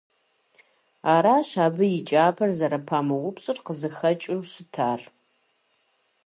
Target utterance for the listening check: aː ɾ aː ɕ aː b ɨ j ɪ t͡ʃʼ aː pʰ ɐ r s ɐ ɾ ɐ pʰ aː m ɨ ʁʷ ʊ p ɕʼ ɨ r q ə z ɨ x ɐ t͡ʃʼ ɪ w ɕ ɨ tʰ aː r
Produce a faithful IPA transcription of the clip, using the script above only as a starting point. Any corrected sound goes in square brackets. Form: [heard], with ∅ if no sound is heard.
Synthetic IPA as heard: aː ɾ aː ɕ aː b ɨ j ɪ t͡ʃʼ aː pʰ ɐ r [z] ɐ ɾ ɐ pʰ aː m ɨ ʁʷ ʊ p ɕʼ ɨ r q ə z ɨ x ɐ t͡ʃʼ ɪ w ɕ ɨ tʰ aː r